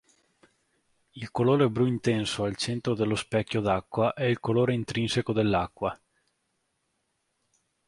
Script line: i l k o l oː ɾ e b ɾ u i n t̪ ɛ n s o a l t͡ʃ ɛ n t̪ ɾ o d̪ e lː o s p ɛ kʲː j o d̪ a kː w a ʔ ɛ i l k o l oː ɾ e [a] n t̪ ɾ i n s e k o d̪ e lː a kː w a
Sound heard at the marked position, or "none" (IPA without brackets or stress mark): i